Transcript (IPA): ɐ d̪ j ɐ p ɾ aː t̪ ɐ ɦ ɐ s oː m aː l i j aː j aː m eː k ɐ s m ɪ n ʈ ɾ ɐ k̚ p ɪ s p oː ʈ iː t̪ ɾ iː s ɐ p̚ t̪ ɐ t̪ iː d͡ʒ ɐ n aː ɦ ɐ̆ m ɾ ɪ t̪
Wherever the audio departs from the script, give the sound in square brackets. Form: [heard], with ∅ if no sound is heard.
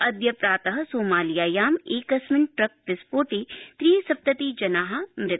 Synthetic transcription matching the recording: ɐ d̪ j ɐ p ɾ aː t̪ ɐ ɦ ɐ s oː m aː l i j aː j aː m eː k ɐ s m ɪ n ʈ ɾ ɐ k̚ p ɪ s p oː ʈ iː t̪ ɾ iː s ɐ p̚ t̪ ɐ t̪ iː d͡ʒ ɐ n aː ɦ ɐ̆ m ɾ ɪ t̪